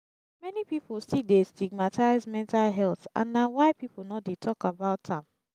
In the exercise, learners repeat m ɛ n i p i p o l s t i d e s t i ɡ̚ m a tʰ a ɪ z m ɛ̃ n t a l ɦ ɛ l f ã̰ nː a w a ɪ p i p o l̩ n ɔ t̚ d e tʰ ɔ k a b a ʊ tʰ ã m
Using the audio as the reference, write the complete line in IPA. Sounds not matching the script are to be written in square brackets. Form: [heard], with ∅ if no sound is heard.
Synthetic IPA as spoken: m ɛ n i p i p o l s t i d e s t i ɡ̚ m a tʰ a ɪ z m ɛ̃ n t a l ɦ ɛ l [θ] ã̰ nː a w a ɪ p i p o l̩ n ɔ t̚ d e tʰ ɔ k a b a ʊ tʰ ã m